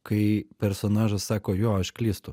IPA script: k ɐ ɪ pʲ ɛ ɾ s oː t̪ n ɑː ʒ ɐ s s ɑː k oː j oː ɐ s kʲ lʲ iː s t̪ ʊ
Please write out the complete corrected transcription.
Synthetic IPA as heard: k ɐ ɪ pʲ ɛ ɾ s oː n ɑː ʒ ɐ s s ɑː k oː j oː ɐ ʃ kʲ lʲ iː s t̪ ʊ